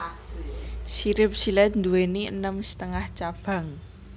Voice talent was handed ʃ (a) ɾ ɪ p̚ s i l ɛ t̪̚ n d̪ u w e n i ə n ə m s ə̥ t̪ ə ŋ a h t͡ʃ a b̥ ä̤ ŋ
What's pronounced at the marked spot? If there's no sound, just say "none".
i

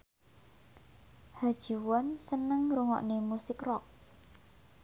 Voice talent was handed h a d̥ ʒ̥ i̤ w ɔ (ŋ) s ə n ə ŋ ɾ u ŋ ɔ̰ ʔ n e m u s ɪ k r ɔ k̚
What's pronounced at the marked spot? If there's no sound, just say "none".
n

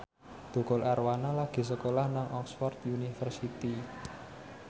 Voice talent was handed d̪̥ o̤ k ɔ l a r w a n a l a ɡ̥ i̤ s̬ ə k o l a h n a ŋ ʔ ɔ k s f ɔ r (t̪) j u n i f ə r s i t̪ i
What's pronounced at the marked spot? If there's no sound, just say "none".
t̪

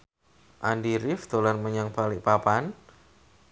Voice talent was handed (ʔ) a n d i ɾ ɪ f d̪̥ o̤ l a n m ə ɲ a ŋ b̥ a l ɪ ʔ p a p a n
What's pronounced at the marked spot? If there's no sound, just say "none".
ʔ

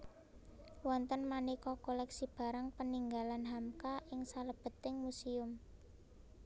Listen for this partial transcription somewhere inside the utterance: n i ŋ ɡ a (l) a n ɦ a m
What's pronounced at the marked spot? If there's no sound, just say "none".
l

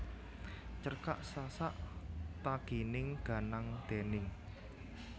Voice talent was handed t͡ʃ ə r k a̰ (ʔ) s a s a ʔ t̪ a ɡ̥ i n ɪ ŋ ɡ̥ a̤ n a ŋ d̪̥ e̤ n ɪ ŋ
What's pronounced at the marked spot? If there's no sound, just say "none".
ʔ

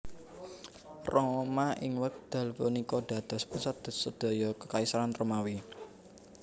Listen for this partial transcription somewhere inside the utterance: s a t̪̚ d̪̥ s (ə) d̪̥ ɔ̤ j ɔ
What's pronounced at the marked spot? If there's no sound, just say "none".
ə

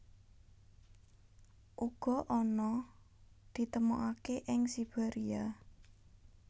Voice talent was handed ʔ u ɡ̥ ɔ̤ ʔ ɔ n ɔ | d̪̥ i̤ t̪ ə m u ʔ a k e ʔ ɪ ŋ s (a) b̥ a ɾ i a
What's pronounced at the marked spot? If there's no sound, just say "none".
i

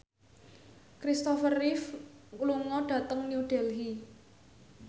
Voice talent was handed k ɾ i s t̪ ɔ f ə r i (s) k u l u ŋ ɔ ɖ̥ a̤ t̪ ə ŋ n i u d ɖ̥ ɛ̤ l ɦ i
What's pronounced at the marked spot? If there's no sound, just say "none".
f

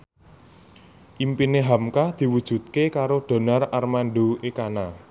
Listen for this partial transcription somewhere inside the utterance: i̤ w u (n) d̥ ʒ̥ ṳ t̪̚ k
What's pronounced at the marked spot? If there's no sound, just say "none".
none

